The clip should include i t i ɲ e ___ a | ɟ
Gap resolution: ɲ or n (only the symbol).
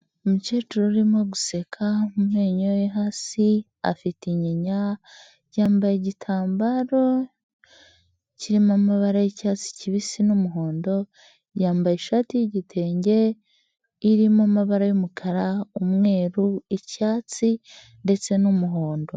ɲ